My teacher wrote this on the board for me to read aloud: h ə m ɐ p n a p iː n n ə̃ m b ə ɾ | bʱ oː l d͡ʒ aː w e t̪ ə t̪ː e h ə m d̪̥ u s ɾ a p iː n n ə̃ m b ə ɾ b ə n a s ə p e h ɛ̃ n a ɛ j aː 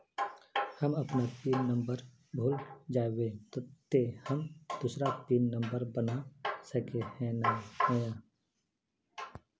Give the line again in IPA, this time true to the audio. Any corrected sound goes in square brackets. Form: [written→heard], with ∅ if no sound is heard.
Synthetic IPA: h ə m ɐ p n a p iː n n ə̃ m b ə ɾ | bʱ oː l d͡ʒ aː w e t̪ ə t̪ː e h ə m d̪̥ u s ɾ a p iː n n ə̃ m b ə ɾ b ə n a s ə [p→k] e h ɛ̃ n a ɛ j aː